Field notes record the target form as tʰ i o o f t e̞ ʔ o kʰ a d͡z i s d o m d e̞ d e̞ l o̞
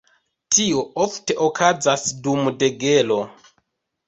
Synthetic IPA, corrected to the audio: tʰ i o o f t e̞ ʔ o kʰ a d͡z a s d u m d e̞ ɡ e̞ l o̞